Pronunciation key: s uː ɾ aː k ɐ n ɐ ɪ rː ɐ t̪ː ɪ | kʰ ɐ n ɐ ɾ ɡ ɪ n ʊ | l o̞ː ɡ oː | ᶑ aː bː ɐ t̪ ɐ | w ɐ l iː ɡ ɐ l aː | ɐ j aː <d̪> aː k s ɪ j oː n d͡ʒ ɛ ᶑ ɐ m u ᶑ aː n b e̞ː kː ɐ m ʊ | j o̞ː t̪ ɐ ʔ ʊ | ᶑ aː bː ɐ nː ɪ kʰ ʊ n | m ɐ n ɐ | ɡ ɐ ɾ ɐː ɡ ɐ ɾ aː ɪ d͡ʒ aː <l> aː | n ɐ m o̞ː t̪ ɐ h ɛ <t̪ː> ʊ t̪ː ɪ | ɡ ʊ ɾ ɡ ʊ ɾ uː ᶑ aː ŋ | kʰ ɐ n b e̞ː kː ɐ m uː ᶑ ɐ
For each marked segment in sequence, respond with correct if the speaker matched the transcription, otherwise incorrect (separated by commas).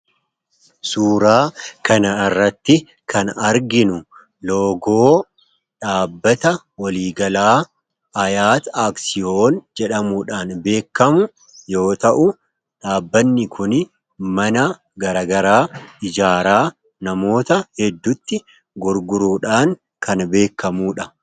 incorrect, incorrect, incorrect